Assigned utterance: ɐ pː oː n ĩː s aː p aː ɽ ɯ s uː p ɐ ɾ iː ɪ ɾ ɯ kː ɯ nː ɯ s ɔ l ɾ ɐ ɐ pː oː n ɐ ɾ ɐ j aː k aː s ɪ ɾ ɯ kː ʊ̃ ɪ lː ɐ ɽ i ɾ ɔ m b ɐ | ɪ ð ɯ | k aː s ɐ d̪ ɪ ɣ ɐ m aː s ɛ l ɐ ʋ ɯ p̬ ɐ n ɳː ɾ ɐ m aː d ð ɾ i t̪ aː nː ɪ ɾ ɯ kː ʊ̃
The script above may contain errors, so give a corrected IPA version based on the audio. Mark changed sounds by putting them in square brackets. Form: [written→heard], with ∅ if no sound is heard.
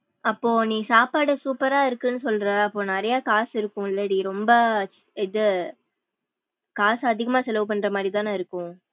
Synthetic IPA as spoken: ɐ pː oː n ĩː s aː p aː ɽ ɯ s uː p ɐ ɾ [iː→aː] ɪ ɾ ɯ kː ɯ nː ɯ s ɔ l ɾ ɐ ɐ pː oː n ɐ ɾ ɐ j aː k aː s ɪ ɾ ɯ kː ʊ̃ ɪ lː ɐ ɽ i ɾ ɔ m b ɐ | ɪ ð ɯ | k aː s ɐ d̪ ɪ ɣ ɐ m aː s ɛ l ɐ ʋ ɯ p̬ ɐ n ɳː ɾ ɐ m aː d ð ɾ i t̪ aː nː ɪ ɾ ɯ kː ʊ̃